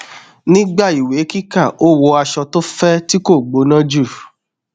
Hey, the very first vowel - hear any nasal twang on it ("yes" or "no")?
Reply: yes